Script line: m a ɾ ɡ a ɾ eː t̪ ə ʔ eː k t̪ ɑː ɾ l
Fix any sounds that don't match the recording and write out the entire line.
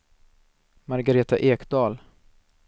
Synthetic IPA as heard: m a ɾ ɡ a ɾ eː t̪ a ʔ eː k d̪ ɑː l